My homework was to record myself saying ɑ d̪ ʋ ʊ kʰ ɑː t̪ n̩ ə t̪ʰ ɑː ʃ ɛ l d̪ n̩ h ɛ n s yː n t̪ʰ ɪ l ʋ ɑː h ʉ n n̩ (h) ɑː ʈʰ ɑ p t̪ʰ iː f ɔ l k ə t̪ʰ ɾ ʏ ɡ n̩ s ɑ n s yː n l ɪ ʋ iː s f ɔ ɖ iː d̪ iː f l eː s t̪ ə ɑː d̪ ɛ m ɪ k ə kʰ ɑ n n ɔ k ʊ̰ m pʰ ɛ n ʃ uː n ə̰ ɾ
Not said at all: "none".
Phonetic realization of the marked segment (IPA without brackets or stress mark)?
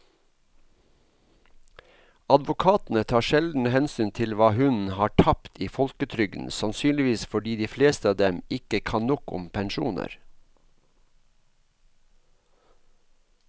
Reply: h